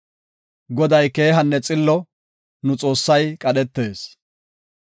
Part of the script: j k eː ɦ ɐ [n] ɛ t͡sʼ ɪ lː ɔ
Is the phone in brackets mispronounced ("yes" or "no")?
yes